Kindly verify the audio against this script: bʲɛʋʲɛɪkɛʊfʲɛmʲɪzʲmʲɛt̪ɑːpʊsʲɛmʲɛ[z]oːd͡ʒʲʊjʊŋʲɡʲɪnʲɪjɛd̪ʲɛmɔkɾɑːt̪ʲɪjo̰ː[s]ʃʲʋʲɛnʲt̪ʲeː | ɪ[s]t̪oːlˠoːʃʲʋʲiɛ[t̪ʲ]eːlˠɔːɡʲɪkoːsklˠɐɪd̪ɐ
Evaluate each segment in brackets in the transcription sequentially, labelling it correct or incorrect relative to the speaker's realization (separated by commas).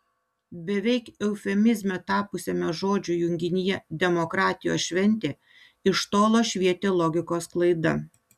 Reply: incorrect, correct, incorrect, correct